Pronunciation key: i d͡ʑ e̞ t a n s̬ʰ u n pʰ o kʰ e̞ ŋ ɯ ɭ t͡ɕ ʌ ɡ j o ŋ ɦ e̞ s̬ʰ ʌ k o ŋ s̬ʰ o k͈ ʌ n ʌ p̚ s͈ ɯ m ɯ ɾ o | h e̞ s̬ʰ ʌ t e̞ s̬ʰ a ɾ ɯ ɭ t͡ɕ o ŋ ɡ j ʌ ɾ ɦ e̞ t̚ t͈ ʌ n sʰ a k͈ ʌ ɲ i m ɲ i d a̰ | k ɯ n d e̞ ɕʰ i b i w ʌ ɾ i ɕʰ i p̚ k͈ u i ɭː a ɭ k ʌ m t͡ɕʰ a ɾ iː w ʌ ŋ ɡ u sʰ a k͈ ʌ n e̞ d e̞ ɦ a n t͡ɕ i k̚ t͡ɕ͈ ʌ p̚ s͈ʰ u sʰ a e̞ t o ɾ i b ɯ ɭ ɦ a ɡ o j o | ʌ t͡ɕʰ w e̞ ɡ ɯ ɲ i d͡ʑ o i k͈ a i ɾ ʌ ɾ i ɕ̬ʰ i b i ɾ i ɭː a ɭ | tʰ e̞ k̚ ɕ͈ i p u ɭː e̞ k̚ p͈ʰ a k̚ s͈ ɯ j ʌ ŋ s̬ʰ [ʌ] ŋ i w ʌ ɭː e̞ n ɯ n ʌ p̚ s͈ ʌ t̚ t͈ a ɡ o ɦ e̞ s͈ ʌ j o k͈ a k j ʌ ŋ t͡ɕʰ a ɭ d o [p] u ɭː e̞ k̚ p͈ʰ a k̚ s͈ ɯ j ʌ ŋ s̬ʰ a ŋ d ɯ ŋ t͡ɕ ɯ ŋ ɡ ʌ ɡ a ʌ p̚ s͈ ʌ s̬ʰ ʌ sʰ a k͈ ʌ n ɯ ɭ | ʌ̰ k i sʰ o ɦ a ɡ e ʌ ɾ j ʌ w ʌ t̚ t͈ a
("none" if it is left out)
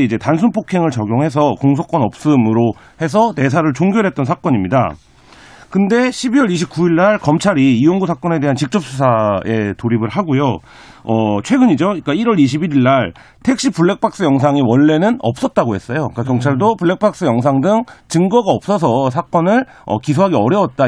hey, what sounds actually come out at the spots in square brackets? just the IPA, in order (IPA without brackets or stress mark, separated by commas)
a, p